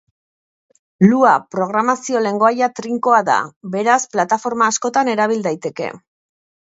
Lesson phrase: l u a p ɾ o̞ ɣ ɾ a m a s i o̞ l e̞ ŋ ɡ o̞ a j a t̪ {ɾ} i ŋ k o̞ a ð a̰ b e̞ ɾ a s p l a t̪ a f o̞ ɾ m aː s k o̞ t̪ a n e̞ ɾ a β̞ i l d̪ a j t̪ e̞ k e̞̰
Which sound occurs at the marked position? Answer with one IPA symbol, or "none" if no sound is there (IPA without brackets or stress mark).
ɾ